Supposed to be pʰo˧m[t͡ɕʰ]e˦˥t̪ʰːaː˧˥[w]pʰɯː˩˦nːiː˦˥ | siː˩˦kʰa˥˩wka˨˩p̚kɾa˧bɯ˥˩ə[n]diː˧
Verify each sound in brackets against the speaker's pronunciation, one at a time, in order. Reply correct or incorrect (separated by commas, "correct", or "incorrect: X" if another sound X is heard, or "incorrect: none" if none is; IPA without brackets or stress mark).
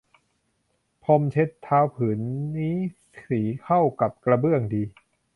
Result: correct, correct, incorrect: ŋ